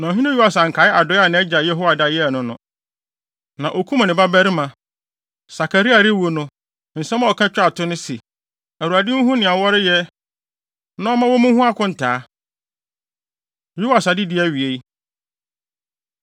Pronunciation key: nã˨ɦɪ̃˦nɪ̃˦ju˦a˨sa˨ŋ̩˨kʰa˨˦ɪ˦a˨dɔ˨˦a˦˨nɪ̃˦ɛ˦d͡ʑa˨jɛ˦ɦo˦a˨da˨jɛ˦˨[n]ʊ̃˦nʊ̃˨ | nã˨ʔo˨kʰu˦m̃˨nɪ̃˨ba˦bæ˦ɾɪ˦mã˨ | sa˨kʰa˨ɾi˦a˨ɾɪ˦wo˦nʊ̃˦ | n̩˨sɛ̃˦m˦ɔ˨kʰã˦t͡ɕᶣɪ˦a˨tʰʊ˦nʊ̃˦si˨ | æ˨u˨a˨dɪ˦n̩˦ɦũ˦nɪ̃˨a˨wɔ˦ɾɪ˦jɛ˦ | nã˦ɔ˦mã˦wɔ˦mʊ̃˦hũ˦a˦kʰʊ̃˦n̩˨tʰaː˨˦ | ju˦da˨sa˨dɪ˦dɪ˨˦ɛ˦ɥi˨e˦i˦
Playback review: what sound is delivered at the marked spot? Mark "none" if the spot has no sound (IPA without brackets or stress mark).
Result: n